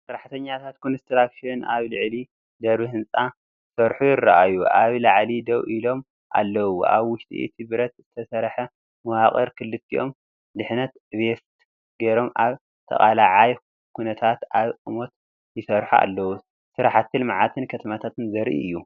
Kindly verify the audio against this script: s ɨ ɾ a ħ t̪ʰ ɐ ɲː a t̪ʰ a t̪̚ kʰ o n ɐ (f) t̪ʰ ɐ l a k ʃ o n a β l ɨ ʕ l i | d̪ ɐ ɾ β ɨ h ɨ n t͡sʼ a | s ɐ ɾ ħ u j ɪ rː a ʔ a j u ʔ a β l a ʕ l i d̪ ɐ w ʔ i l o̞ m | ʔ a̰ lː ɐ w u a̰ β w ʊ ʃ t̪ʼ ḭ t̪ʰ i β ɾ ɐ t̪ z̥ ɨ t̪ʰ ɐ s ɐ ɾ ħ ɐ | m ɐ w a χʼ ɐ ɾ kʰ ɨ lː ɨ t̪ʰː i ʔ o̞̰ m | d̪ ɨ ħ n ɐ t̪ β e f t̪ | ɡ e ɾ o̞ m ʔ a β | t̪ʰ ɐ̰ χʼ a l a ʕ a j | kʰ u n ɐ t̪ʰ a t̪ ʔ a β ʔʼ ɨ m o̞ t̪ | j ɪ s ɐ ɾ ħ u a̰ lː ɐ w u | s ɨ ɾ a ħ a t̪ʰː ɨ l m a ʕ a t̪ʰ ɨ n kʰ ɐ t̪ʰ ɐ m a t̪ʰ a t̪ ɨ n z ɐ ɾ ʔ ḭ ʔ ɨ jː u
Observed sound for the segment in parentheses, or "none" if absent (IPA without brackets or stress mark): s